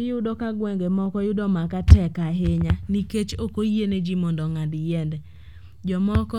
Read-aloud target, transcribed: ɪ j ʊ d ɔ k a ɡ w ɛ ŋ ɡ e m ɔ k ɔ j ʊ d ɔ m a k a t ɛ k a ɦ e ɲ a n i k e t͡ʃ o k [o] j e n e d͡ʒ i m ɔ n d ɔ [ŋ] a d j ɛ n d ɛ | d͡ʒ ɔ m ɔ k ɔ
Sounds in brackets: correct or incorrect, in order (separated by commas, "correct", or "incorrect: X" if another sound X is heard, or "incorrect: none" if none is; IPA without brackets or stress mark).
correct, correct